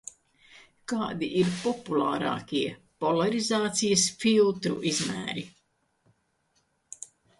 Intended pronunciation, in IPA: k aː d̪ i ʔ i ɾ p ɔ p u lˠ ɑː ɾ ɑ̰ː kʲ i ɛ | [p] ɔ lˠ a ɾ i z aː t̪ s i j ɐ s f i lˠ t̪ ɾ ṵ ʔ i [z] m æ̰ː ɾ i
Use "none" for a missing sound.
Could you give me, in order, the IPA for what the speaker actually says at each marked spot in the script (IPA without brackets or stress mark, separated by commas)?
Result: p, z